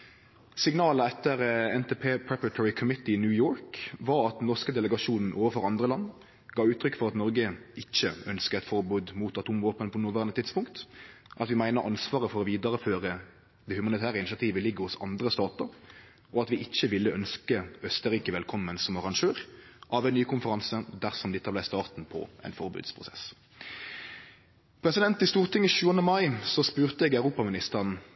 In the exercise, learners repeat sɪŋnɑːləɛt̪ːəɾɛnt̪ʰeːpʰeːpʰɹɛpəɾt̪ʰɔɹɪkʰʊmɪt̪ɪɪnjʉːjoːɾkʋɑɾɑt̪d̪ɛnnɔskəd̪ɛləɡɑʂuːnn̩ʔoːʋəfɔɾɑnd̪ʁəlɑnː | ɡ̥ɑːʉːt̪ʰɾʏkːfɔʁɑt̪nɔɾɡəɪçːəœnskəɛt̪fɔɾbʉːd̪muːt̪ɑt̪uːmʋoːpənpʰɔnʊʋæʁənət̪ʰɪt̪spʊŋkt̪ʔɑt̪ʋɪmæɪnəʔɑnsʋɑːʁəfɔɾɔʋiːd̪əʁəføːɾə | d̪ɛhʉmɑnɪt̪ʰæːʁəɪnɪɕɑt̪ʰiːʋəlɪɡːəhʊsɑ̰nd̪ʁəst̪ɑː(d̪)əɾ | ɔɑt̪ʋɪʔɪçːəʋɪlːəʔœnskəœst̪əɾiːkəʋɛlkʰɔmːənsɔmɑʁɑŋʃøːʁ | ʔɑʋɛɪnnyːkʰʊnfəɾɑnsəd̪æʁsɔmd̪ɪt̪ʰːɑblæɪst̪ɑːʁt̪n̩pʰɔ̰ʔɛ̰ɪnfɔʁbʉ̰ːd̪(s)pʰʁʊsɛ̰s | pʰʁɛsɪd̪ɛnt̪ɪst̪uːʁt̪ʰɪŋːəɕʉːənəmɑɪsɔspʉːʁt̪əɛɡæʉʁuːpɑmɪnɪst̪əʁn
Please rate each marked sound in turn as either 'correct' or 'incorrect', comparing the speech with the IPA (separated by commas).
incorrect, correct